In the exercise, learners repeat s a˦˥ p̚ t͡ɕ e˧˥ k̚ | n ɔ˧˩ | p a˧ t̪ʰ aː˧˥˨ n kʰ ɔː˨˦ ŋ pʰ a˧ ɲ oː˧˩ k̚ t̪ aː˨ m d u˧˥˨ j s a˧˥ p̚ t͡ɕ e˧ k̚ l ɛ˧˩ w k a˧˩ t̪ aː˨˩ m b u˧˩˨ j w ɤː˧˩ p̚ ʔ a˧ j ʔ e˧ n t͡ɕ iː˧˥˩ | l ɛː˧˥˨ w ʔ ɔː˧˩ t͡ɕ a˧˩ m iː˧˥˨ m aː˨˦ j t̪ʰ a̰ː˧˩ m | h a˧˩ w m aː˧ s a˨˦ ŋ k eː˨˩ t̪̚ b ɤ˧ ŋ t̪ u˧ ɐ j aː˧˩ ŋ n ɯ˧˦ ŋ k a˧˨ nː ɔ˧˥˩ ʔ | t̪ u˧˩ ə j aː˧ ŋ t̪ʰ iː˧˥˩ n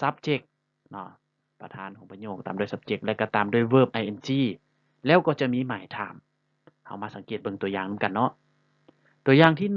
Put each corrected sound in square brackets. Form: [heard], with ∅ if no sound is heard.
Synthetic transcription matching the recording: s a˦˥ p̚ t͡ɕ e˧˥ k̚ | n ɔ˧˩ | p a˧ t̪ʰ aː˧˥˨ n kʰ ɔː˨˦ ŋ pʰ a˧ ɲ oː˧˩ k̚ t̪ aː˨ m d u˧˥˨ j s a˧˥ p̚ t͡ɕ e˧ k̚ l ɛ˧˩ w k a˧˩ t̪ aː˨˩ m [d] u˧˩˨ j w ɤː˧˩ p̚ ʔ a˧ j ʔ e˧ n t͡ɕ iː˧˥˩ | l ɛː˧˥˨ w [k] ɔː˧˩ t͡ɕ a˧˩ m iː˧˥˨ m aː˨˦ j t̪ʰ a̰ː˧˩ m | h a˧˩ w m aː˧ s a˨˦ ŋ k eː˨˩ t̪̚ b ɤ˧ ŋ t̪ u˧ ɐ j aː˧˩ ŋ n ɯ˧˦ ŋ k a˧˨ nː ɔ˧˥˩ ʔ | t̪ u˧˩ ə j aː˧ ŋ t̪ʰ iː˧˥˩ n